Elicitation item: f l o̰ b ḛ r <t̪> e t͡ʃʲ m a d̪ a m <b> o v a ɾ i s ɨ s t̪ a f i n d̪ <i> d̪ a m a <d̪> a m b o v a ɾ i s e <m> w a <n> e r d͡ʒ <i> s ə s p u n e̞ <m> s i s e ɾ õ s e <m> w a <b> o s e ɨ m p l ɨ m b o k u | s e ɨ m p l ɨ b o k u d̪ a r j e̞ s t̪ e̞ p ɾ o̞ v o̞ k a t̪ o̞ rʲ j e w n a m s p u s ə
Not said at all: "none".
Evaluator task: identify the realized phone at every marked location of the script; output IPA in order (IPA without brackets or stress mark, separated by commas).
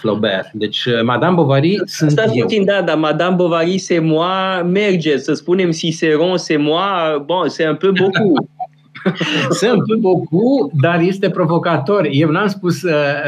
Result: d̪, b, a, d̪, m, m, e, m, m, b